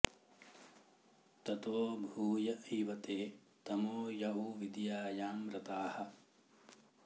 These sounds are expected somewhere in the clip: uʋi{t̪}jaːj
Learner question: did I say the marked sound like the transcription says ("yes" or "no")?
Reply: no